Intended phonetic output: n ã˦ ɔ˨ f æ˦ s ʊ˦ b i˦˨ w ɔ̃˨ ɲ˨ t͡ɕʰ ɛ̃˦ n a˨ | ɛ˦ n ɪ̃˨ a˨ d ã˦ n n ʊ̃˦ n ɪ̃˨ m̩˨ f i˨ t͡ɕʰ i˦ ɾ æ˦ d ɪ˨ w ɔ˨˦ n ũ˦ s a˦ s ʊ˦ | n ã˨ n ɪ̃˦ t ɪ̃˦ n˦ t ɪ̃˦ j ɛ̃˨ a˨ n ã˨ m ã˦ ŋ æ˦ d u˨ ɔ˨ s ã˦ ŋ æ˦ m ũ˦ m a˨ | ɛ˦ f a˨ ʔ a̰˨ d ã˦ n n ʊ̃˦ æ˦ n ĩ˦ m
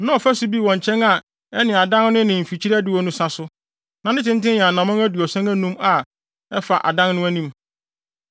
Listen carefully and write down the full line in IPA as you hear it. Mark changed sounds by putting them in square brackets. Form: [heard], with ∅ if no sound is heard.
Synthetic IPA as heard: n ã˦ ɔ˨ f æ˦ s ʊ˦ b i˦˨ w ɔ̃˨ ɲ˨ t͡ɕʰ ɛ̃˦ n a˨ | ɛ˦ n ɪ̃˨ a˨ d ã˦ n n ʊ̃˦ n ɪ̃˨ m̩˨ f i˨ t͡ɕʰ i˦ ɾ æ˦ d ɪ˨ w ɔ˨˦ n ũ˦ s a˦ s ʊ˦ | n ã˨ n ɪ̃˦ t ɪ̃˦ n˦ t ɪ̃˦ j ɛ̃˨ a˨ n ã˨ m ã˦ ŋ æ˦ d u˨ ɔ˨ s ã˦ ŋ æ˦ [n] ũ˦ m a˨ | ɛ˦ f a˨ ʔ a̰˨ d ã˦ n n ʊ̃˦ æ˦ n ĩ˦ m